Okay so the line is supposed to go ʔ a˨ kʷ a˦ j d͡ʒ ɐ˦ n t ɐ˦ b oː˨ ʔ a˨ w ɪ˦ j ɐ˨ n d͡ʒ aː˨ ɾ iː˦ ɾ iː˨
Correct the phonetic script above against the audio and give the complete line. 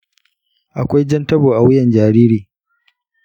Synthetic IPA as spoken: ʔ a˨ kʷ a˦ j d͡ʒ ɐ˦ n t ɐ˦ b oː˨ ʔ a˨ w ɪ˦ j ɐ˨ n d͡ʒ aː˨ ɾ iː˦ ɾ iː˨